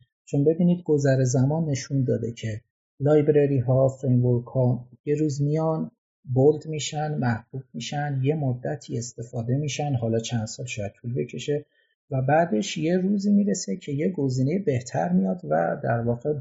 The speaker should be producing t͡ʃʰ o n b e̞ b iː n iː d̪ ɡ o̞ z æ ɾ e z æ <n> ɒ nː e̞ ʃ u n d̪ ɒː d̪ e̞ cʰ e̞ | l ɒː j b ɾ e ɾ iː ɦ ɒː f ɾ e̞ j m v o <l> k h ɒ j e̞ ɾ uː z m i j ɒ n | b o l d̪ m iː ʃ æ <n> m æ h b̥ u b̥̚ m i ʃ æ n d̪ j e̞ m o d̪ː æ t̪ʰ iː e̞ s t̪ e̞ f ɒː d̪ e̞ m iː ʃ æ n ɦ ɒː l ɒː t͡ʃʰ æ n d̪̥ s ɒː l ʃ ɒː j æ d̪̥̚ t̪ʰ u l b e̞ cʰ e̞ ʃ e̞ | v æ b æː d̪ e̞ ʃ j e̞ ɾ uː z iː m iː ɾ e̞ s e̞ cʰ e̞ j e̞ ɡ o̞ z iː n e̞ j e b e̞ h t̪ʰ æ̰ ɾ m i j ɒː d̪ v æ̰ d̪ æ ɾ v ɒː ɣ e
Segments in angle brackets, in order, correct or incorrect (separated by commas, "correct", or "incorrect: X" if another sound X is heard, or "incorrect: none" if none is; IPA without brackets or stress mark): incorrect: m, incorrect: ɾ, correct